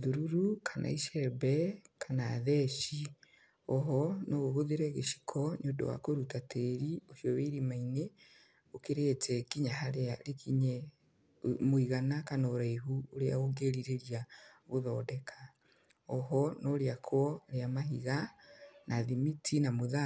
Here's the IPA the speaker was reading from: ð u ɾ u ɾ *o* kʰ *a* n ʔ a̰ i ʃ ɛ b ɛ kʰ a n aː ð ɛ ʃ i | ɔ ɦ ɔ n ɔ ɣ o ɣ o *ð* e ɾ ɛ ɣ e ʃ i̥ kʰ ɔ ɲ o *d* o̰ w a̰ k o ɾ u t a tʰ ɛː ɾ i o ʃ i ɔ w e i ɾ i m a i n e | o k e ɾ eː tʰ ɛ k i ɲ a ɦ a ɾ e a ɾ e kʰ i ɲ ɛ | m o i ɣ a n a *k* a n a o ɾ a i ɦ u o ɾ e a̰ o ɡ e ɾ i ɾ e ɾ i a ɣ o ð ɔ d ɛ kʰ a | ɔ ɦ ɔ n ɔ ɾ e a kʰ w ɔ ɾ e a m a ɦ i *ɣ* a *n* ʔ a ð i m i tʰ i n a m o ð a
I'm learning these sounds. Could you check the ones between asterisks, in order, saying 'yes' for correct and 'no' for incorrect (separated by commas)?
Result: no, yes, yes, yes, yes, yes, yes